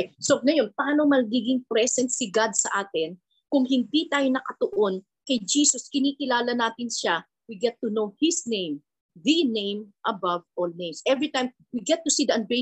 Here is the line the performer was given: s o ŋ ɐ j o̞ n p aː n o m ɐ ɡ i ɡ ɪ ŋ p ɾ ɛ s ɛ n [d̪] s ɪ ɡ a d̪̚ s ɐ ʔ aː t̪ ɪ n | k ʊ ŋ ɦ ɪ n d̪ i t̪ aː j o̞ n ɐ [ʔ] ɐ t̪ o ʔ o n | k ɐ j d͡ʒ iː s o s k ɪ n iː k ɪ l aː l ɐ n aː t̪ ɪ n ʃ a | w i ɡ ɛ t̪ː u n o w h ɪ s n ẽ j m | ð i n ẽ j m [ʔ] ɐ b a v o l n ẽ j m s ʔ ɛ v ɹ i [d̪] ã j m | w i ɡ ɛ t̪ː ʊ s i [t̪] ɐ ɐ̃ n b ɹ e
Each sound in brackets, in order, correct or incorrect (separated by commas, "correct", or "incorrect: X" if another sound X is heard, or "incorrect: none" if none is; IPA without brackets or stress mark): incorrect: t̪, incorrect: k, correct, incorrect: t̪, incorrect: d̪